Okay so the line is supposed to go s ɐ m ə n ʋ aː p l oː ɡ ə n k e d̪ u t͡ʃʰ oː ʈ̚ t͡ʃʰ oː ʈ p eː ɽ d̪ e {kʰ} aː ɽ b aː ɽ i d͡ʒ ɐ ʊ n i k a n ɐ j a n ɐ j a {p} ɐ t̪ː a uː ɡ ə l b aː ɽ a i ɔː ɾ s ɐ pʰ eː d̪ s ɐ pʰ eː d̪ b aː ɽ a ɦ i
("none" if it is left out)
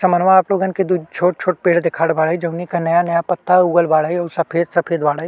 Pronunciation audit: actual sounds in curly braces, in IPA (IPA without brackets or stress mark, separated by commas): kʰ, p